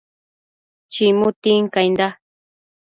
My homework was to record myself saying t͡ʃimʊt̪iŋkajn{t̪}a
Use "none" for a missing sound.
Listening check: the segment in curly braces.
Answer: d̪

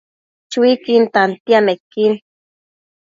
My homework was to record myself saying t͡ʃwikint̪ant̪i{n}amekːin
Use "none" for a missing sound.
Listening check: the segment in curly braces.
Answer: none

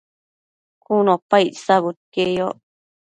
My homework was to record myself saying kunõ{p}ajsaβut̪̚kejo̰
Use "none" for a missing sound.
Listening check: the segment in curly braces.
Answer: p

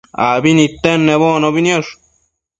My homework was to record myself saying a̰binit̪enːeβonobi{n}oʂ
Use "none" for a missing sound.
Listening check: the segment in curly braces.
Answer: n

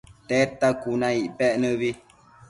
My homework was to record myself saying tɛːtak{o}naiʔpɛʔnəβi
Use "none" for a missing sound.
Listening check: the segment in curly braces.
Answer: u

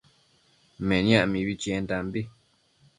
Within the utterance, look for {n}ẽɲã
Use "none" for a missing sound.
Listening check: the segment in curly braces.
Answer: m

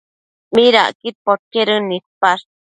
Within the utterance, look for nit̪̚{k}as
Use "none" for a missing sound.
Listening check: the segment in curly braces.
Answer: p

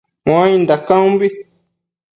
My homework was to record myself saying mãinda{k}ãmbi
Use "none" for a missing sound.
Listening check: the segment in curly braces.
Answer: k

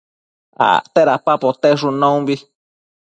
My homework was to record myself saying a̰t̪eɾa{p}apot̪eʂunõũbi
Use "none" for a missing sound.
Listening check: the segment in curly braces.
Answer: p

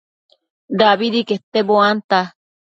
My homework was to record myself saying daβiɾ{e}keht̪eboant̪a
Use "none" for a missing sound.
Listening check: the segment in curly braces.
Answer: i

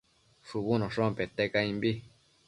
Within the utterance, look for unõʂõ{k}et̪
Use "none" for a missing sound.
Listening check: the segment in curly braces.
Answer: p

